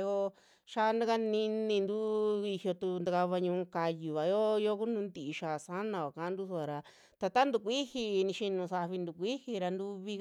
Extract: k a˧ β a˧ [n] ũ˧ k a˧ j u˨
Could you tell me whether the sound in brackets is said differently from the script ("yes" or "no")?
yes